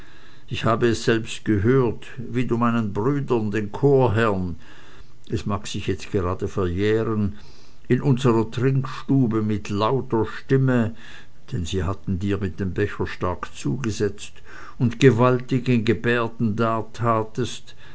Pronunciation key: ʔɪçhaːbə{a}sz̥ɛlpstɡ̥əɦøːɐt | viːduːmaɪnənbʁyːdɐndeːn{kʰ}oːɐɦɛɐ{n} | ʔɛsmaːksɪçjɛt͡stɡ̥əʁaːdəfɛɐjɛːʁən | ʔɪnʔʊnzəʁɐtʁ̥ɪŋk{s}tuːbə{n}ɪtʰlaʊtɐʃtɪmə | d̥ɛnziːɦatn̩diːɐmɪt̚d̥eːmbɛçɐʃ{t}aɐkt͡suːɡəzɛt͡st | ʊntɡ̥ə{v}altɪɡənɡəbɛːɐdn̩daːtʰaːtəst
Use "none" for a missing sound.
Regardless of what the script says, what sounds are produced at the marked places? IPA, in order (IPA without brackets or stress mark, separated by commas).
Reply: ɛ, kʰ, n, ʃ, m, t, v